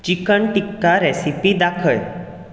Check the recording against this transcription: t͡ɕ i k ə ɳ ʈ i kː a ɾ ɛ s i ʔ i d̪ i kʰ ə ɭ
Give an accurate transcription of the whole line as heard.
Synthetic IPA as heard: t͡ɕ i k ə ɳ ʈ i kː a ɾ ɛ s i p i d̪ a kʰ ə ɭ